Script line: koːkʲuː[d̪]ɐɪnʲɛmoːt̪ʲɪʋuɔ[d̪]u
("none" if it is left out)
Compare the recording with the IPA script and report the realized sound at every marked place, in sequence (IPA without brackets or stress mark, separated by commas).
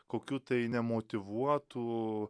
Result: t̪, t̪